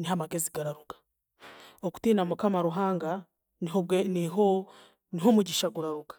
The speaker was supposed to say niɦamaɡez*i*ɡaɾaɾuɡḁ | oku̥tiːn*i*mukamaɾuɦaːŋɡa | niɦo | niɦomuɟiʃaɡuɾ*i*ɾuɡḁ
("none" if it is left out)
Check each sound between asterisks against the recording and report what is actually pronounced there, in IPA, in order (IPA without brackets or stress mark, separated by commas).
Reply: i, a, a